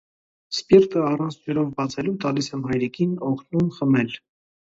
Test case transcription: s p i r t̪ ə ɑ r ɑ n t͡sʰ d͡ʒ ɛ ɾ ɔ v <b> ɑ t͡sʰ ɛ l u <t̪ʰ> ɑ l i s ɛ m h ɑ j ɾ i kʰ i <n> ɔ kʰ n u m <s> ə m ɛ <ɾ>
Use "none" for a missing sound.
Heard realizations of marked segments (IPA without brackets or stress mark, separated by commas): b, t̪, n, χ, l